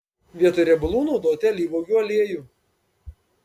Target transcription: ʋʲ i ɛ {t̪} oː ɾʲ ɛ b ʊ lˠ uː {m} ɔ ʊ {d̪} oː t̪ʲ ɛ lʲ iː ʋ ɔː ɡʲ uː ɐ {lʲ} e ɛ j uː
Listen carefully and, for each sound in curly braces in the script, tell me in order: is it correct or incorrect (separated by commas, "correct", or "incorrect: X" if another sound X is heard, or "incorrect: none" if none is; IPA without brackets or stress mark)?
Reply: correct, incorrect: n, correct, correct